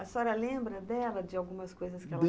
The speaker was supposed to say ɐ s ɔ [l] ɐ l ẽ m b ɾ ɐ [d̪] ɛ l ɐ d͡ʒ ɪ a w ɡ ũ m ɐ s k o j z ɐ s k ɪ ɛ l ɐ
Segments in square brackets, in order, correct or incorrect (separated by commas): incorrect, correct